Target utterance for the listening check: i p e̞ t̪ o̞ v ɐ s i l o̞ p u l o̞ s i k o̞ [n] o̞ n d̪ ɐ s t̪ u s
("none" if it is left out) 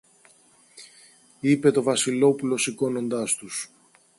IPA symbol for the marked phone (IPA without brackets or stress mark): n